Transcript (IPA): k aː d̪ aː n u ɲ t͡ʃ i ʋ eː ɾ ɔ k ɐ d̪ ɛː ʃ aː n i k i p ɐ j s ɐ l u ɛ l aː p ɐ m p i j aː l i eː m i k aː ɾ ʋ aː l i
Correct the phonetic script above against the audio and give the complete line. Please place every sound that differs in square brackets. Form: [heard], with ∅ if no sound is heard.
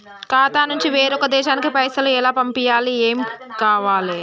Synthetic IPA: k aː [t̪] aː n u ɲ t͡ʃ i ʋ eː ɾ ɔ k ɐ d̪ ɛː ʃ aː n i k i p ɐ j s ɐ l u ɛ l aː p ɐ m p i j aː l i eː m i k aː [∅] ʋ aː l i